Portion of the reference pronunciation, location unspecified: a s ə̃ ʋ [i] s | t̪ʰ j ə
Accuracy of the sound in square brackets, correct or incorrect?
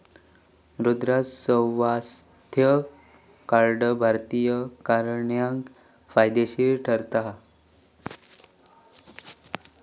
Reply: incorrect